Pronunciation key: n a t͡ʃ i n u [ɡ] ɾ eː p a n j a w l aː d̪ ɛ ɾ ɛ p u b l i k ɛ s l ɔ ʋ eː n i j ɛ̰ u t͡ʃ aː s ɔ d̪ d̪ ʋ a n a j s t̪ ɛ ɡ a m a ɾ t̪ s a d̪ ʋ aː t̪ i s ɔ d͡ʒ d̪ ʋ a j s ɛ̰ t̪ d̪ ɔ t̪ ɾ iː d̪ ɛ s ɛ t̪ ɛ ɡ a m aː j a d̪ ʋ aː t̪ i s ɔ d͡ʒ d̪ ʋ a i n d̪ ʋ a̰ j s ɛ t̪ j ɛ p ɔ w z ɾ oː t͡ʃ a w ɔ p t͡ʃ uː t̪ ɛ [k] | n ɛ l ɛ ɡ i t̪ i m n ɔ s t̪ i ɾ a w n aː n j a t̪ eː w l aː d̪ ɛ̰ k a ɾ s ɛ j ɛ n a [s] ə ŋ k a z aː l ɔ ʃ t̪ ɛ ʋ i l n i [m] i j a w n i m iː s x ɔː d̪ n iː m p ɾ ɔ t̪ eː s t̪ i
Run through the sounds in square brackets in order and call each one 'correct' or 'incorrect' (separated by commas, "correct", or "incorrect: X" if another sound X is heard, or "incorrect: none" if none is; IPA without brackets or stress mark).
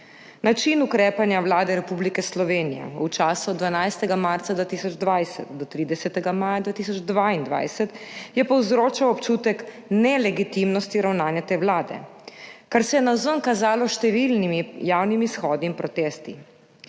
incorrect: k, correct, incorrect: z, correct